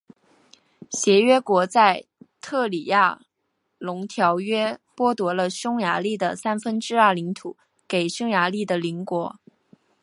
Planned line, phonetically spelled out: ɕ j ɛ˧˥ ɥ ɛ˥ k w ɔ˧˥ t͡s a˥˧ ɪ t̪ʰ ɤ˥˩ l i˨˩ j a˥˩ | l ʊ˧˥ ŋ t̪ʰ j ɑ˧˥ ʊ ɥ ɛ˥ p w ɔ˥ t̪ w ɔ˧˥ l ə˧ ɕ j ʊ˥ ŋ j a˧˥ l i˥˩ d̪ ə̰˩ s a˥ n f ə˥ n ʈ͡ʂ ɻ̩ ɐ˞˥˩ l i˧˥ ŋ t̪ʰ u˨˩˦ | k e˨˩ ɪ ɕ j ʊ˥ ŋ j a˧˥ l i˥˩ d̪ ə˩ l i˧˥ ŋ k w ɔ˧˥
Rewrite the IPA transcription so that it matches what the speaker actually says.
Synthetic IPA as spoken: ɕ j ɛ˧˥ ɥ ɛ˥ k w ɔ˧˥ t͡s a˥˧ ɪ t̪ʰ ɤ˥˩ l i˨˩ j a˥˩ | l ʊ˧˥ ŋ t̪ʰ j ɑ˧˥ ʊ ɥ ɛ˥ p w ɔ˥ t̪ w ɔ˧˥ l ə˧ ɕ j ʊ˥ ŋ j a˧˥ l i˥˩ d̪ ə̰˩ s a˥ n f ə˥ n ʈ͡ʂ ɻ̩ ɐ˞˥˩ l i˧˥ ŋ t̪ʰ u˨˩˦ | k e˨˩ ɪ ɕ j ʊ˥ ŋ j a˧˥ l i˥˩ d̪ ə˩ l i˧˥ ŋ k w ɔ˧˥